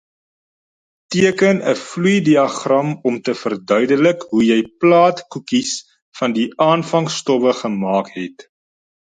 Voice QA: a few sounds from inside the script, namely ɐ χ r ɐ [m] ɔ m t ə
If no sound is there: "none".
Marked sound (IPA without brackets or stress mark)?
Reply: m